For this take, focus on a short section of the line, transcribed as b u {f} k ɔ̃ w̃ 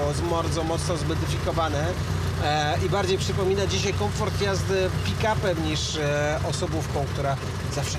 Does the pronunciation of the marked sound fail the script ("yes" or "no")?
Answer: no